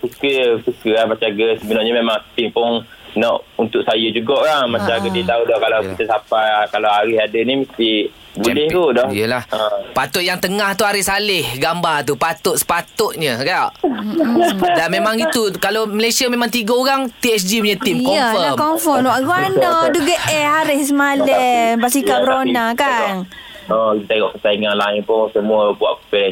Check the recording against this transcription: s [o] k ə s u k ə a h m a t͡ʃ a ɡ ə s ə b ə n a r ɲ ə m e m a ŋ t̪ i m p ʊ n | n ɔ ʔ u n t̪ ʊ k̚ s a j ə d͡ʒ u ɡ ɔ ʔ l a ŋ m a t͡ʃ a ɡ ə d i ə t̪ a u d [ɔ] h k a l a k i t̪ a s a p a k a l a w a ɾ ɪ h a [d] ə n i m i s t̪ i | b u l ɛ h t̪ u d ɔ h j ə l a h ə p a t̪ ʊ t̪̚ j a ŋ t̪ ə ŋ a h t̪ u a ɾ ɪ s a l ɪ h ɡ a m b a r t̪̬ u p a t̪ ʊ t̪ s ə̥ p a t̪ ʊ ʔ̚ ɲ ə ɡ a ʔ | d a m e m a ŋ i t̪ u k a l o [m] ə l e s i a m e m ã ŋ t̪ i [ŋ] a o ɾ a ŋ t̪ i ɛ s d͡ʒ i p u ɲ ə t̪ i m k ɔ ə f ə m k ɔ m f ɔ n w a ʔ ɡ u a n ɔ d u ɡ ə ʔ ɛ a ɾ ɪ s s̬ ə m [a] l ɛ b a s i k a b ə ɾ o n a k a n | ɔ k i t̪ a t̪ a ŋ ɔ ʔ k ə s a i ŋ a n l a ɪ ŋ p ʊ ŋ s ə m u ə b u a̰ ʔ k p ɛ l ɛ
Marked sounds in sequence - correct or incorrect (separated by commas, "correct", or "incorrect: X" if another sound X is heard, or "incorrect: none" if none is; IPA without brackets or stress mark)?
incorrect: u, correct, correct, correct, incorrect: ɡ, correct